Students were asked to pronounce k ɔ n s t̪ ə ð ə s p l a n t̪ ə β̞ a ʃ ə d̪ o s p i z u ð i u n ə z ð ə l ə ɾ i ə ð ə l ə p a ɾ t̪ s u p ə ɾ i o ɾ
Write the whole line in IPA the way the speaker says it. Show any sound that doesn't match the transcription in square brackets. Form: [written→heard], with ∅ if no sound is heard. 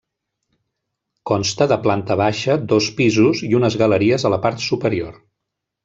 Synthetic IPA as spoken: k ɔ n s t̪ ə ð ə [s→∅] p l a n t̪ ə β̞ a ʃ ə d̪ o s p i z u [ð→z] i u n ə z [ð→ɣ] ə l ə ɾ i ə [ð→z] ə l ə p a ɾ t̪ s u p ə ɾ i o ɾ